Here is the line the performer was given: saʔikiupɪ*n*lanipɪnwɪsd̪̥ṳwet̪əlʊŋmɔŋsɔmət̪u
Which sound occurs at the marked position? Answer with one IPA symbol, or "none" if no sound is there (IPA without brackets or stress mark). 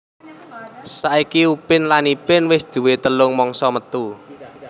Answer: n